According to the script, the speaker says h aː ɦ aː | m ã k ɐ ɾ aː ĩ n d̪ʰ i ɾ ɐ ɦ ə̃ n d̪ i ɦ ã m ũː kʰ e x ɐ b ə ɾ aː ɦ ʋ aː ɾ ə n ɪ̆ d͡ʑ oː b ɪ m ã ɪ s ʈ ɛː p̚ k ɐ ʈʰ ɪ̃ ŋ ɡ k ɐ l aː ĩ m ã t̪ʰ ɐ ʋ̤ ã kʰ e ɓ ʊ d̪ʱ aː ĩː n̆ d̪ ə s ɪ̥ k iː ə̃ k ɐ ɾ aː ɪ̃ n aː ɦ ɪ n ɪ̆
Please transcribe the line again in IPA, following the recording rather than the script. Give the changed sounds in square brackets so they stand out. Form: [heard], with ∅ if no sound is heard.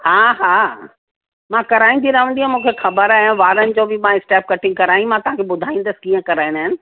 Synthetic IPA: h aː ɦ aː | m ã k ɐ ɾ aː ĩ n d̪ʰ i ɾ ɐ ɦ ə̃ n d̪ i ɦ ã m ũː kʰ e x ɐ b ə ɾ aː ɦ ʋ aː ɾ ə n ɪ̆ d͡ʑ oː b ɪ m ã ɪ s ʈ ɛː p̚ k ɐ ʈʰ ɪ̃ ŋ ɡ k ɐ [ɾ] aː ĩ m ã [t̪] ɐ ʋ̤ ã kʰ e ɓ ʊ d̪ʱ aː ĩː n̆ d̪ ə s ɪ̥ k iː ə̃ k ɐ ɾ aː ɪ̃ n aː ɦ ɪ n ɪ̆